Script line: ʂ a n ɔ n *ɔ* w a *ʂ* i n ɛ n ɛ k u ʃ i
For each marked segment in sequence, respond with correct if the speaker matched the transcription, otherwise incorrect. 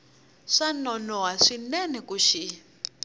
correct, correct

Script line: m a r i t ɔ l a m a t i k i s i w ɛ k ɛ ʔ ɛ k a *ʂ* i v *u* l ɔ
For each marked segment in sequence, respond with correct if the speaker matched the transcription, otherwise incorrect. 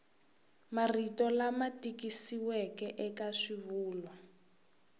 correct, incorrect: uː

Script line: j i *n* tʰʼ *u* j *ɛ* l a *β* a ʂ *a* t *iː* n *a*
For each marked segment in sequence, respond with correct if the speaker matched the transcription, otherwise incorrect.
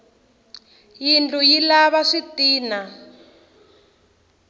correct, correct, incorrect: i, correct, incorrect: i, correct, correct

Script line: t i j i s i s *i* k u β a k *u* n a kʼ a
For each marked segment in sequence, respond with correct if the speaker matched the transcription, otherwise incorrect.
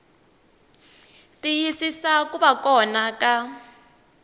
incorrect: a, incorrect: ɔ

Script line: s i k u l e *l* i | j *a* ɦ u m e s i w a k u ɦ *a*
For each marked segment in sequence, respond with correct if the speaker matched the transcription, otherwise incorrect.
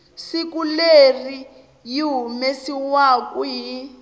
incorrect: r, incorrect: i, incorrect: i

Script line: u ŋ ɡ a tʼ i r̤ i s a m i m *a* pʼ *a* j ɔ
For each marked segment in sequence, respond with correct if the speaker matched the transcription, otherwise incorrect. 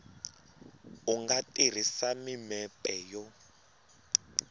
incorrect: ɛ, incorrect: ɛ

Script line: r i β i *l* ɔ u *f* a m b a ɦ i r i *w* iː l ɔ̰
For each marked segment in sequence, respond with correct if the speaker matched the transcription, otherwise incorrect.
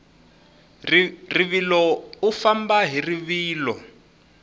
correct, correct, incorrect: β

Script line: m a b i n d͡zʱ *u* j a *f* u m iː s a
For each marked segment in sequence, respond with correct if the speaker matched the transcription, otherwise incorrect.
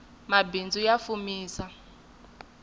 correct, correct

